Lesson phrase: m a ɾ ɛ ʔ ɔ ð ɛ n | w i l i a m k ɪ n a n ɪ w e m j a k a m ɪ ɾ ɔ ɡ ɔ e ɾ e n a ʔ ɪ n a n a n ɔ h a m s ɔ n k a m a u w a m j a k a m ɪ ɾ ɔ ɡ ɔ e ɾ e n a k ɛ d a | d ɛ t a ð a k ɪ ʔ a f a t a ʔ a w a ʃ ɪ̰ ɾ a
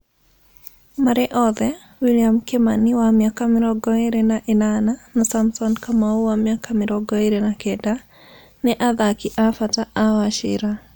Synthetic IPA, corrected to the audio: m a ɾ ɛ ʔ ɔ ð ɛ | w i l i a m k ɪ m a n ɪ w a m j a k a m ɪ ɾ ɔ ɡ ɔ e ɾ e n a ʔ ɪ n a n a n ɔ s a m s ɔ n k a m a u w a m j a k a m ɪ ɾ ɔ ɡ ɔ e ɾ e n a k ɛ d a | n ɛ ʔ a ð a k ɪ ʔ a f a t a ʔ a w a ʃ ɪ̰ ɾ a